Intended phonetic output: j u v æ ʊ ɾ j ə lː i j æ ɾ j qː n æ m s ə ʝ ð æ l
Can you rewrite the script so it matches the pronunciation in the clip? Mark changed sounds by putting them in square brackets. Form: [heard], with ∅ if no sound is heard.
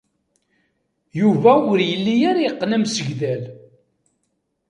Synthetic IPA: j u v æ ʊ ɾ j ə lː i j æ ɾ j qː n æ m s ə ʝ ð æ l